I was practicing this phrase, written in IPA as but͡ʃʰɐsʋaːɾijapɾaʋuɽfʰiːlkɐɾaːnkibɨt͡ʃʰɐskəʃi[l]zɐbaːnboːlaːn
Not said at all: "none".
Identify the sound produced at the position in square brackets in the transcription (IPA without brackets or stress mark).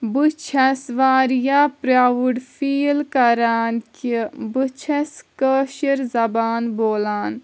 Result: ɾ